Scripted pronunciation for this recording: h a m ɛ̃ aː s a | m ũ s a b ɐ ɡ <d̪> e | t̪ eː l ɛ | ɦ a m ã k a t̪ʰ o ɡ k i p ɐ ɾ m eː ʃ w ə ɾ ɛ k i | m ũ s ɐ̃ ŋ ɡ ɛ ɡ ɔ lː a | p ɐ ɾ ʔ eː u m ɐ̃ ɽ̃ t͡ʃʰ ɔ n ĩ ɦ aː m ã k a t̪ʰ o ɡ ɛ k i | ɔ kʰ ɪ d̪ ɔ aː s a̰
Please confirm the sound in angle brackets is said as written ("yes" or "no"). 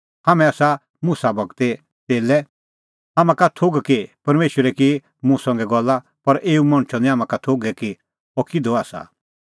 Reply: no